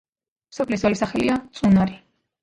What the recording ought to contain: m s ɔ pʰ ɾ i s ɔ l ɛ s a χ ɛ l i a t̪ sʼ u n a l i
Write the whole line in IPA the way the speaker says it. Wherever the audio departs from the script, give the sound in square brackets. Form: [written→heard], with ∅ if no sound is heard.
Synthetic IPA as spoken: m s ɔ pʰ [ɾ→l] i s ɔ l [ɛ→i] s a χ ɛ l i a t̪ sʼ u n a [l→ɾ] i